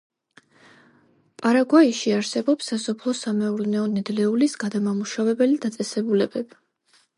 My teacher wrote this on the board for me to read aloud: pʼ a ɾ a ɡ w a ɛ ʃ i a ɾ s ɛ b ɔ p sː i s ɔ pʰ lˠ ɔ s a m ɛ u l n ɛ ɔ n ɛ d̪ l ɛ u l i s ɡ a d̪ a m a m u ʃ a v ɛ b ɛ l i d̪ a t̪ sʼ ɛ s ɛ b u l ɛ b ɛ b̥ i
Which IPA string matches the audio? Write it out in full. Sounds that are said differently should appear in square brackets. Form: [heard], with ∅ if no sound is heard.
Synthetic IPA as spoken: pʼ a ɾ a ɡ w a [i] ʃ i a ɾ s ɛ b ɔ p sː [a] s ɔ pʰ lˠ ɔ s a m ɛ u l n ɛ ɔ n ɛ d̪ l ɛ u l i s ɡ a d̪ a m a m u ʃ a v ɛ b ɛ l i d̪ a t̪ sʼ ɛ s ɛ b u l ɛ b ɛ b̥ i